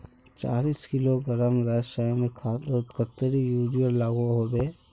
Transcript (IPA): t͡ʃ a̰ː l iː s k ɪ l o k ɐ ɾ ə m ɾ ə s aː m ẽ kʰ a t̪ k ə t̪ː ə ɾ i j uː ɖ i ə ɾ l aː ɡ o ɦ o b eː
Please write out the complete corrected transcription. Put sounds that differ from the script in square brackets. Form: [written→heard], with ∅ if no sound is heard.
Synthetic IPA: t͡ʃ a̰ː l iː s k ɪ l o [k→ɡ] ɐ ɾ ə m ɾ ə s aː m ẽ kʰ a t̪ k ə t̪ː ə ɾ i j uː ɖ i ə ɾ l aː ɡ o ɦ o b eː